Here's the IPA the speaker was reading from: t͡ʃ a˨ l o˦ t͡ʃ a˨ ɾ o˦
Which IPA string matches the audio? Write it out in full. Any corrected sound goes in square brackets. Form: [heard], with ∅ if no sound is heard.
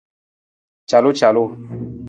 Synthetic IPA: t͡ʃ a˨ l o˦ t͡ʃ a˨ [l] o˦